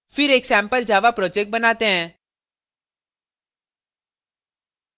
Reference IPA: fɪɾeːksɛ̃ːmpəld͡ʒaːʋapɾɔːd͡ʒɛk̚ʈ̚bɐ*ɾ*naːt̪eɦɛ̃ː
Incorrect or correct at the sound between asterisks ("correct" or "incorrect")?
incorrect